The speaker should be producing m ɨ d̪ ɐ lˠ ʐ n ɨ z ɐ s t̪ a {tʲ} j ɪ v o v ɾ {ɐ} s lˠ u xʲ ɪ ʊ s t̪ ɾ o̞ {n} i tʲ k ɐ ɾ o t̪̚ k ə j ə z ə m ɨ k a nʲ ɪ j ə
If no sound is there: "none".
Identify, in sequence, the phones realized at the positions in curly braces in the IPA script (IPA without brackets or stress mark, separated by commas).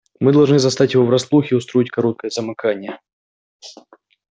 tʲ, ɐ, none